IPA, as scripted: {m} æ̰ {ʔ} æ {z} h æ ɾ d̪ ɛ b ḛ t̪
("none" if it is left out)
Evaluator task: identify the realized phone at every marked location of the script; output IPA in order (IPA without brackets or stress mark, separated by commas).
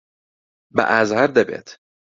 b, ʔ, z